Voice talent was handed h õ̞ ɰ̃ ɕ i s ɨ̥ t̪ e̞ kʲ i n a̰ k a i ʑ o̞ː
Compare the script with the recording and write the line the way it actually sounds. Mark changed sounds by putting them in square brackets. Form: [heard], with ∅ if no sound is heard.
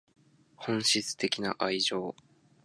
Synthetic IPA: h õ̞ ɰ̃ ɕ i [t͡s] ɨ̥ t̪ e̞ kʲ i n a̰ [ʔ] a i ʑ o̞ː